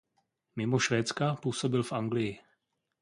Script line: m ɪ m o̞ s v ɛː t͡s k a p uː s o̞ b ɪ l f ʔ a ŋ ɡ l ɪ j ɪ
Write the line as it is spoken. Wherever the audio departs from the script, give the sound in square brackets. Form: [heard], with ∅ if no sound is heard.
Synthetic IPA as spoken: m ɪ m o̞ [ʃ] v ɛː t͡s k a p uː s o̞ b ɪ l f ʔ a ŋ ɡ l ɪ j ɪ

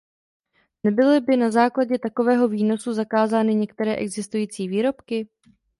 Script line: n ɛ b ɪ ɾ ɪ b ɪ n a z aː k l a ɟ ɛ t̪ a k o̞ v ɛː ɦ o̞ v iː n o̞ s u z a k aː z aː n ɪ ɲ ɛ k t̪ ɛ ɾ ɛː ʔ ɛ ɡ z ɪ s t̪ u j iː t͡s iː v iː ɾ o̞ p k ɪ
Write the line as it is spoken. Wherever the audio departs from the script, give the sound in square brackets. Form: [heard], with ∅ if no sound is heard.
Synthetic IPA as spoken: n ɛ b ɪ [l] ɪ b ɪ n a z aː k l a ɟ ɛ t̪ a k o̞ v ɛː ɦ o̞ v iː n o̞ s u z a k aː z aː n ɪ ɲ ɛ k t̪ ɛ ɾ ɛː ʔ ɛ ɡ z ɪ s t̪ u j iː t͡s iː v iː ɾ o̞ p k ɪ

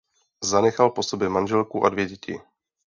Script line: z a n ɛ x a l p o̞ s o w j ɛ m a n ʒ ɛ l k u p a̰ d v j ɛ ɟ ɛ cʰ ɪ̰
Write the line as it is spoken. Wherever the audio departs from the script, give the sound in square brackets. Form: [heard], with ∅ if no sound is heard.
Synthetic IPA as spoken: z a n ɛ x a l p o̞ s o [b] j ɛ m a n ʒ ɛ l k u [ʔ] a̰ d v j ɛ ɟ ɛ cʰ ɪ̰

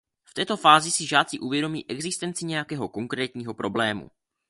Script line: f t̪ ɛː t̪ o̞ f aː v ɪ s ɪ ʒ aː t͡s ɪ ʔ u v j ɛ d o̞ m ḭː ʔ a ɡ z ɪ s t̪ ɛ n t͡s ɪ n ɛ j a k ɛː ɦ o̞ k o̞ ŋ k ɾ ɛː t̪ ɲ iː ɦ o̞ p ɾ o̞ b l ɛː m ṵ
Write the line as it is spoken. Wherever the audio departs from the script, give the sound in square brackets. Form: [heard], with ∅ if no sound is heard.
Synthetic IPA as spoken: f t̪ ɛː t̪ o̞ f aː [z] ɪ s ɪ ʒ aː t͡s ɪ ʔ u v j ɛ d o̞ m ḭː ʔ [ɛ] ɡ z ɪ s t̪ ɛ n t͡s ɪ [ɲ] ɛ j a k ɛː ɦ o̞ k o̞ ŋ k ɾ ɛː t̪ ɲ iː ɦ o̞ p ɾ o̞ b l ɛː m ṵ

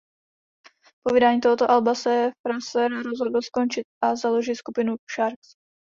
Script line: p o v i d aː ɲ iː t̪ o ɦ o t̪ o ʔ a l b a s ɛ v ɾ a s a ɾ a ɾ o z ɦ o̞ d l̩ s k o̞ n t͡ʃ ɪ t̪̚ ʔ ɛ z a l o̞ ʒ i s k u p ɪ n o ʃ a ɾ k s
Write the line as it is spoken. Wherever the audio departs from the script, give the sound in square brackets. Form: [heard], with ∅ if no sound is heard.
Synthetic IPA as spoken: p o v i d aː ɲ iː t̪ o ɦ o t̪ o ʔ a l b a s ɛ [f] ɾ a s [ɛ] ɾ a ɾ o z ɦ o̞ d l̩ s k o̞ n t͡ʃ ɪ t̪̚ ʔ [a] z a l o̞ ʒ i s k u p ɪ n [u] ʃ a ɾ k s

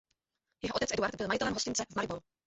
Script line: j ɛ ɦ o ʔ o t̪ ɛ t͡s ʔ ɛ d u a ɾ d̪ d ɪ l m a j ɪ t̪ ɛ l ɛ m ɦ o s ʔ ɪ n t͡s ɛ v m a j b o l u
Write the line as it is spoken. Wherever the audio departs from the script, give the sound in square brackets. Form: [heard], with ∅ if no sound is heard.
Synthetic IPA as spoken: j ɛ ɦ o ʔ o t̪ ɛ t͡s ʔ ɛ d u a ɾ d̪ [b] ɪ l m a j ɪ t̪ ɛ l ɛ m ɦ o s [c] ɪ n t͡s ɛ v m a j b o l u

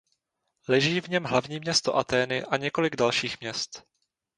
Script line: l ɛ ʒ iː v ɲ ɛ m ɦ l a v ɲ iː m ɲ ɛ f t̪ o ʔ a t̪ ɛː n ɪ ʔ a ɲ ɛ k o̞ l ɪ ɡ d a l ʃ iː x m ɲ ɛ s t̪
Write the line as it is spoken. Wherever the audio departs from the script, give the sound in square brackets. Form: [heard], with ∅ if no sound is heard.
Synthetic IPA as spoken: l ɛ ʒ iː v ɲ ɛ m ɦ l a v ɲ iː m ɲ ɛ [s] t̪ o ʔ a t̪ ɛː n ɪ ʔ a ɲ ɛ k o̞ l ɪ ɡ d a l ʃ iː x m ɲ ɛ s t̪

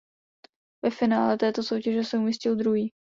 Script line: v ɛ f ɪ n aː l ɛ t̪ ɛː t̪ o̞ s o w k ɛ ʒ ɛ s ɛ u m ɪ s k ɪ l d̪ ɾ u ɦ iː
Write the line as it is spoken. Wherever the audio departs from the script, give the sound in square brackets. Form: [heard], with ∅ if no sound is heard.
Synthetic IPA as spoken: v ɛ f ɪ n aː l ɛ t̪ ɛː t̪ o̞ s o w [c] ɛ ʒ ɛ s ɛ u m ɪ s [c] ɪ l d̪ ɾ u ɦ iː

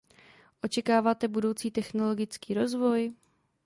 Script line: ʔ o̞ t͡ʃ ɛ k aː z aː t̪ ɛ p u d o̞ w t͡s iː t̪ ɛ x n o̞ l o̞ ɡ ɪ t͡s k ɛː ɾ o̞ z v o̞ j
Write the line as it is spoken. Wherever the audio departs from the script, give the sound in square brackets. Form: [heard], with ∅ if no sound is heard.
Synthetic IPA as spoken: ʔ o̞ t͡ʃ ɛ k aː [v] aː t̪ ɛ [b] u d o̞ w t͡s iː t̪ ɛ x n o̞ l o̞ ɡ ɪ t͡s k [iː] ɾ o̞ z v o̞ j

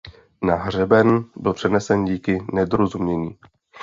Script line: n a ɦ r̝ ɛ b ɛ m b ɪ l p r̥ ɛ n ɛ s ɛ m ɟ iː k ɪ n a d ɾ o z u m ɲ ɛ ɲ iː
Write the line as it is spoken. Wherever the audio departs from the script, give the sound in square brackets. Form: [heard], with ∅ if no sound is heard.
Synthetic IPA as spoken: n a ɦ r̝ ɛ b ɛ [n] b ɪ l p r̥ ɛ n ɛ s ɛ [n] ɟ iː k ɪ n [ɛ] d ɾ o z u m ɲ ɛ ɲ iː

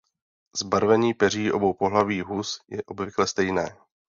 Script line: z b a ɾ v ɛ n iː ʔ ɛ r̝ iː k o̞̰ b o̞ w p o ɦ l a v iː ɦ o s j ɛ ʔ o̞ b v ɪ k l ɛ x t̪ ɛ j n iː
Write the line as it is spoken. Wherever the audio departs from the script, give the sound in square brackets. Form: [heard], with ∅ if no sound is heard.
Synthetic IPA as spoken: z b a ɾ v ɛ [ɲ] iː [p] ɛ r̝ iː [ʔ] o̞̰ b o̞ w p o ɦ l a v iː ɦ [u] s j ɛ ʔ o̞ b v ɪ k l ɛ [s] t̪ ɛ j n [ɛː]

